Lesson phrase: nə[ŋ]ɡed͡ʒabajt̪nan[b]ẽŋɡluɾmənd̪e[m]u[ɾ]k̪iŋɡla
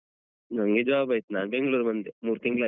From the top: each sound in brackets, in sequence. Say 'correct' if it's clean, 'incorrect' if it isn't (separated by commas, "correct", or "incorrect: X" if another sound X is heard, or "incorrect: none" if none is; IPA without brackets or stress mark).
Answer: correct, correct, correct, correct